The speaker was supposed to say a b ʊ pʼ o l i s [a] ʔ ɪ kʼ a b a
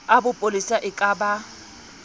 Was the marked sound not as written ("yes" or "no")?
no